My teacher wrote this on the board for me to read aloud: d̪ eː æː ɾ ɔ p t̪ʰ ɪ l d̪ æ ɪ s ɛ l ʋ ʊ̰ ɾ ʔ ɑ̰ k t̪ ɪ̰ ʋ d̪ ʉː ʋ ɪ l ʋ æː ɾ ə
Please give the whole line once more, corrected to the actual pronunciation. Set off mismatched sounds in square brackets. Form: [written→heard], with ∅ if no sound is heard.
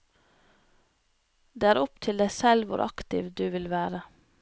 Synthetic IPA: d̪ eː æː ɾ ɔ p t̪ʰ ɪ l d̪ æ ɪ s ɛ l ʋ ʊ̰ ɾ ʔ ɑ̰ k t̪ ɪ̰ ʋ d̪ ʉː ʋ ɪ l ʋ æː ɾ ə